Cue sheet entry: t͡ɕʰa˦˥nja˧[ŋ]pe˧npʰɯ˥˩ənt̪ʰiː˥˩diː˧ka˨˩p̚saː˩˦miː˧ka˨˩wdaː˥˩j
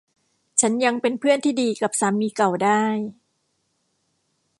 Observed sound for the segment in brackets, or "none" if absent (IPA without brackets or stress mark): ŋ